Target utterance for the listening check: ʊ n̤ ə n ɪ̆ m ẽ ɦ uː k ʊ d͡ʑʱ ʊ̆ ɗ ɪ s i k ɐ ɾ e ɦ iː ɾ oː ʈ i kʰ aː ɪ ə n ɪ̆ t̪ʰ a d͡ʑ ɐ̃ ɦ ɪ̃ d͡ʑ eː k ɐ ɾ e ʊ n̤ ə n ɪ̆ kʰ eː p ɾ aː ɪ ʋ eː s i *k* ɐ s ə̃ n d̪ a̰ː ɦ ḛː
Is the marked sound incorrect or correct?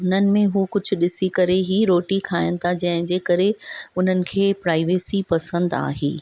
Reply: incorrect